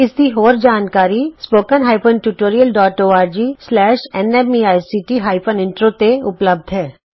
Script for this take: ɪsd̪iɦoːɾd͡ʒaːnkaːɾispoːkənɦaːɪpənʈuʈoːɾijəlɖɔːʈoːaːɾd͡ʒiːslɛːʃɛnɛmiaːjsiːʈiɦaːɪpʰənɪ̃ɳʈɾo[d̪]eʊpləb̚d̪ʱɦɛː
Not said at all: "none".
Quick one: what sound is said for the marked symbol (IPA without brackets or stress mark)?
t̪